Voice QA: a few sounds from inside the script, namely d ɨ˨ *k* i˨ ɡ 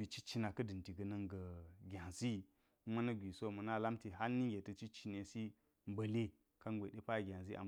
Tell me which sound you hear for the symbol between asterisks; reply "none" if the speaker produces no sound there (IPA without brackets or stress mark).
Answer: t